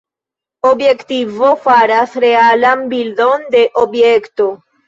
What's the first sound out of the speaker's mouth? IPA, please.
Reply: o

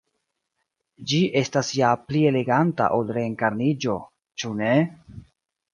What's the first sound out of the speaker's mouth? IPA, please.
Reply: d͡ʒ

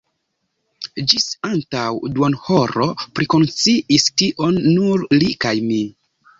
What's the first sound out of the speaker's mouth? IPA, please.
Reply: d͡ʒ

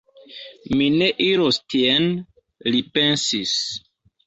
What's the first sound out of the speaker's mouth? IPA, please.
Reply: m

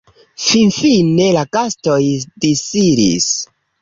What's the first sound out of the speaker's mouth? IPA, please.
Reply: f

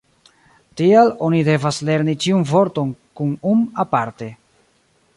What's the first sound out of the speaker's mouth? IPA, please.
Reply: t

